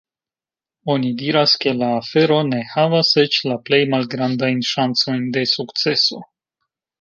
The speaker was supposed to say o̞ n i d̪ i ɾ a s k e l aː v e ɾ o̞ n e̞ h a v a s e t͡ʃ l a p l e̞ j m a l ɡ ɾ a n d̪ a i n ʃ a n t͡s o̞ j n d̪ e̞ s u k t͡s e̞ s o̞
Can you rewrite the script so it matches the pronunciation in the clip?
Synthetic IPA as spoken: o̞ n i d̪ i ɾ a s k e l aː f e ɾ o̞ n e̞ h a v a s e t͡ʃ l a p l e̞ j m a l ɡ ɾ a n d̪ a j n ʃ a n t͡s o̞ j n d̪ e̞ s u k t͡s e̞ s o̞